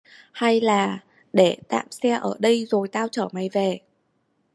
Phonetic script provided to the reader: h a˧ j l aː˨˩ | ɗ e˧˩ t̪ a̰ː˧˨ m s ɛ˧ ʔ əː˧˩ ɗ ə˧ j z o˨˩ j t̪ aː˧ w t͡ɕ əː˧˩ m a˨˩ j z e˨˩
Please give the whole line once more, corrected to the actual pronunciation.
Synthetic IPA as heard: h a˧ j l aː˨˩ | ɗ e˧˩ t̪ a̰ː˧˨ m s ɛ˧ ʔ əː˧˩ ɗ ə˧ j z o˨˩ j t̪ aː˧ w t͡ɕ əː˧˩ m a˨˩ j v e˨˩

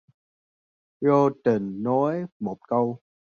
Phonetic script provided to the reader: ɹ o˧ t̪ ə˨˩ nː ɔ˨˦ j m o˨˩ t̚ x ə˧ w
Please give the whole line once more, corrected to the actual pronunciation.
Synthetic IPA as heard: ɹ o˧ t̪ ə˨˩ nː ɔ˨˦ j m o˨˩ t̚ k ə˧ w

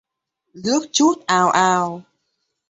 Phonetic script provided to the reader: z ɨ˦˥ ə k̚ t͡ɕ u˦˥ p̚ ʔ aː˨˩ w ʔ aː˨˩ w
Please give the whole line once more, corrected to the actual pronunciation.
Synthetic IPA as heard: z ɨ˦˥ ə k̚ t͡ɕ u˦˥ t̚ ʔ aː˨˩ w ʔ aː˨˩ w

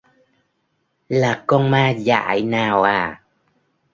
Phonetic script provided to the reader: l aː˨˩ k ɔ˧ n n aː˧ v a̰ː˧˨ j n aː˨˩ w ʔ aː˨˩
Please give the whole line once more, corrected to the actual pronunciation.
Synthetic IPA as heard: l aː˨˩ k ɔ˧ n m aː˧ z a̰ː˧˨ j n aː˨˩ w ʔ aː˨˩

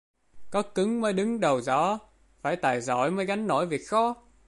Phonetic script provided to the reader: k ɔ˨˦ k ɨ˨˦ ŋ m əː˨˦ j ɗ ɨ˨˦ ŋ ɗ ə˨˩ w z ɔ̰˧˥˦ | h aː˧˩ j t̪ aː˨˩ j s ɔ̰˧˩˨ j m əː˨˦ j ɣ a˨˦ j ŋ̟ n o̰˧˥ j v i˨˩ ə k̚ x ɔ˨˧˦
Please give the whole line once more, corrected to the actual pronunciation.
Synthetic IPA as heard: k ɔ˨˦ k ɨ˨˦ ŋ m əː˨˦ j ɗ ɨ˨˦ ŋ ɗ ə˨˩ w z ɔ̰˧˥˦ | f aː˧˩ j t̪ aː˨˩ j z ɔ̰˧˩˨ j m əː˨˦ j ɣ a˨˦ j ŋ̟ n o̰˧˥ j v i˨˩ ə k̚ x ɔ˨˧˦

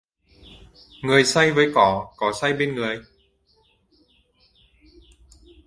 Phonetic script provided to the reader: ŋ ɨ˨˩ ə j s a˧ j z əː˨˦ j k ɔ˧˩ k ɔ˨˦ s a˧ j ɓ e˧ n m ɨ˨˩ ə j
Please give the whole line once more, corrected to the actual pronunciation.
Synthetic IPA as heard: ŋ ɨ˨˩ ə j s a˧ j v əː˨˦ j k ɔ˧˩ k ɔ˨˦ s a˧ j ɓ e˧ n ŋ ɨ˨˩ ə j

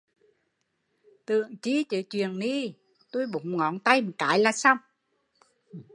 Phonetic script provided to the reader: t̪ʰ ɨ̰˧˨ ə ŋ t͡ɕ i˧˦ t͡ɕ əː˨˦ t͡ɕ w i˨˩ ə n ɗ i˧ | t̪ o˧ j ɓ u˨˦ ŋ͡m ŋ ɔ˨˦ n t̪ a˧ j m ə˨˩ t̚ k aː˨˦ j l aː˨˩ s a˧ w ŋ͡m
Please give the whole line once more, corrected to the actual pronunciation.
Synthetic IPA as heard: t̪ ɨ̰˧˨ ə ŋ t͡ɕ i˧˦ t͡ɕ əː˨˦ t͡ɕ w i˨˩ ə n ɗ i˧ | t̪ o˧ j ɓ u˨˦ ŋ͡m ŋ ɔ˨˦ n t̪ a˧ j m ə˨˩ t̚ k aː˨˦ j l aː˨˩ s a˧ w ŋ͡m

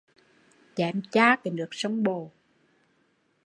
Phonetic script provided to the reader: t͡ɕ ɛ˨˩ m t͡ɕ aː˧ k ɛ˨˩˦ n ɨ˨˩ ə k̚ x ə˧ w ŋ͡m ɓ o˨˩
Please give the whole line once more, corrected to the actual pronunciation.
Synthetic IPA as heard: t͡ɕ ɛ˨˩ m t͡ɕ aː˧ k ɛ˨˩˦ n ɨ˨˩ ə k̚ s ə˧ w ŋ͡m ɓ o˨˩

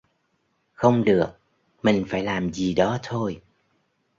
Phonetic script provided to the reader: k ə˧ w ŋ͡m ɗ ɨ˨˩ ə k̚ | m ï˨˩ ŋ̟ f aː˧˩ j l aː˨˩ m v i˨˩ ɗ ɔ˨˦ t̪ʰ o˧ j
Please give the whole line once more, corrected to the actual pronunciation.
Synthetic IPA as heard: x ə˧ w ŋ͡m ɗ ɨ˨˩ ə k̚ | m ï˨˩ ŋ̟ f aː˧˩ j l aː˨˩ m z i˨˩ ɗ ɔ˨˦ t̪ʰ o˧ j

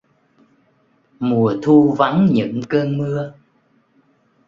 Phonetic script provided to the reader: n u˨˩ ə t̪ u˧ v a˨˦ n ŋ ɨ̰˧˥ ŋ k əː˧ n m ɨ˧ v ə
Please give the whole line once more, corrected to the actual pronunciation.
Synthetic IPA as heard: m u˨˩ ə t̪ʰ u˧ v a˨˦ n ɲ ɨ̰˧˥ ŋ k əː˧ n m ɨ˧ ə

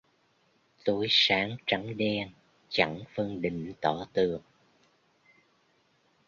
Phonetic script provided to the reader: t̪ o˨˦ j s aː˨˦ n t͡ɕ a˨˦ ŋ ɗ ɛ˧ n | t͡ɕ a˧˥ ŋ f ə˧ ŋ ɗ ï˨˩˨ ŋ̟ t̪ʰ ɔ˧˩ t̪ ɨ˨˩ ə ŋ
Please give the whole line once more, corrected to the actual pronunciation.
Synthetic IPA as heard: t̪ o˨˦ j s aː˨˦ ŋ t͡ɕ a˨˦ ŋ ɗ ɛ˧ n | t͡ɕ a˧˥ ŋ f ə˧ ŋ ɗ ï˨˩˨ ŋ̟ t̪ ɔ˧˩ t̪ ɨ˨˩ ə ŋ

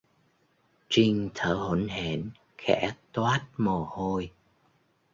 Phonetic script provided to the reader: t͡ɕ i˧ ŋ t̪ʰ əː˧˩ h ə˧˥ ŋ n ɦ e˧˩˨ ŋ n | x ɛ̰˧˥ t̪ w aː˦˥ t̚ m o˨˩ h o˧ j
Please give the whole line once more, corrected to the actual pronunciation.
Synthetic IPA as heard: t͡ɕ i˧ ŋ t̪ʰ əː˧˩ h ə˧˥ n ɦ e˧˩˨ n | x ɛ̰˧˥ t̪ w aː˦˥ t̚ m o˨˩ h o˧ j

